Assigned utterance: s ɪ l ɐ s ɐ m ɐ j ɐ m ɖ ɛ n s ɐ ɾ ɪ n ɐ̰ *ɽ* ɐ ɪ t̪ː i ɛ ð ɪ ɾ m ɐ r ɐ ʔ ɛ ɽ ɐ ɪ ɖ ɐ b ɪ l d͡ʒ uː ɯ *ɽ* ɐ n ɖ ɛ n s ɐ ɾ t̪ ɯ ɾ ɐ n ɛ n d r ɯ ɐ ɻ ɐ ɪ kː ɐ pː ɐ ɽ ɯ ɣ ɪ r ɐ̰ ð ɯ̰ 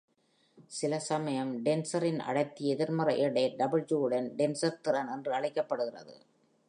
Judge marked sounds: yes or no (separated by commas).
yes, yes